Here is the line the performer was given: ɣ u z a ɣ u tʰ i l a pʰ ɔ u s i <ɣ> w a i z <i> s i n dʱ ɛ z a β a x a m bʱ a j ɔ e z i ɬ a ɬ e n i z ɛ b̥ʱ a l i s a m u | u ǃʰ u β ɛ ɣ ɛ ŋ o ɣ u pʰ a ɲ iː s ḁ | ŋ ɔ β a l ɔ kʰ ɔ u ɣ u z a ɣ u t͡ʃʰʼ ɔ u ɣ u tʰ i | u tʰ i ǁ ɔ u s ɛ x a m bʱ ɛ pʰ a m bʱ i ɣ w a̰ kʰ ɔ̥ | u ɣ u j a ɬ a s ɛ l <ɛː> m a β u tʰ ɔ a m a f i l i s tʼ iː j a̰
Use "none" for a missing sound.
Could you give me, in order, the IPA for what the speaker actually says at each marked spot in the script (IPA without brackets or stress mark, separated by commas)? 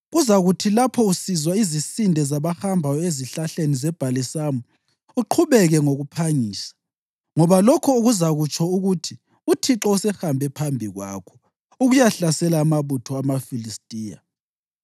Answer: z, i, aː